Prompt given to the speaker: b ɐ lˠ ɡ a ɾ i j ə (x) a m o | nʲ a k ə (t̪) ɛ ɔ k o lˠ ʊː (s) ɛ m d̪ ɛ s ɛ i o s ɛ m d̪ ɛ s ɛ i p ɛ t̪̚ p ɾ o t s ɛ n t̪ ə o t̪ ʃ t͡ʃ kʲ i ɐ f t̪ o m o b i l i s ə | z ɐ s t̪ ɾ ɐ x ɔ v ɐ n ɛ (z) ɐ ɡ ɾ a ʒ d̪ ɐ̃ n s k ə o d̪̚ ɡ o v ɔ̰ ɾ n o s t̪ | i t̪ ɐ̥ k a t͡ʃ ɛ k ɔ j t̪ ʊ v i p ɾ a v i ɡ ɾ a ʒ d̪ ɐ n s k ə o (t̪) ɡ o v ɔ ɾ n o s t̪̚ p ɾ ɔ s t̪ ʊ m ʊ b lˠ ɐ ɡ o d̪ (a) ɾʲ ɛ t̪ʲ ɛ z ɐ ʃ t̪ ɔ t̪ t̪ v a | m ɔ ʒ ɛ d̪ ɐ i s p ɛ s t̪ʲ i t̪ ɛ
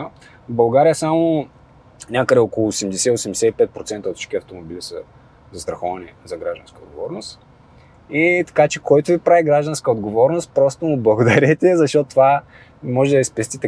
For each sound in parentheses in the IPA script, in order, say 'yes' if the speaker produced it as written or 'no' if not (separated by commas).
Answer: no, no, yes, yes, no, no